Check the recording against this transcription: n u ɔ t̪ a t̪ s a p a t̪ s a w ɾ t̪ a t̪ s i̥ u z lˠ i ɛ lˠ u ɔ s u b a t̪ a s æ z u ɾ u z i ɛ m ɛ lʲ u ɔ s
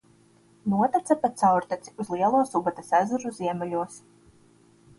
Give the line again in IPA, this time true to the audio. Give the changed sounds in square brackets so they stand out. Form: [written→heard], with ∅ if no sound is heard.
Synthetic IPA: n u ɔ t̪ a t̪ s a p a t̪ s a w ɾ t̪ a t̪ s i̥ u z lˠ i ɛ lˠ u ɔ s u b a t̪ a s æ z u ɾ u z i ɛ m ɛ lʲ u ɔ s